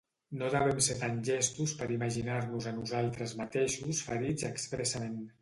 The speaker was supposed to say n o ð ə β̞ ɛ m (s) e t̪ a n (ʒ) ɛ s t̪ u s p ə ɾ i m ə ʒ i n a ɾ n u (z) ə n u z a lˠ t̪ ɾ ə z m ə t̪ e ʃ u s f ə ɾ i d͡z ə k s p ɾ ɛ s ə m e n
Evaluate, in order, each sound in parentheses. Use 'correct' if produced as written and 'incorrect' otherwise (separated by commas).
correct, correct, correct